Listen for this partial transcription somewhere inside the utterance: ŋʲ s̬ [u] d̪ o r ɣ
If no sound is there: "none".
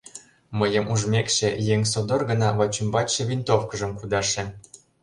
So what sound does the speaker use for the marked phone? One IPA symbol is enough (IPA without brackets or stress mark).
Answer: o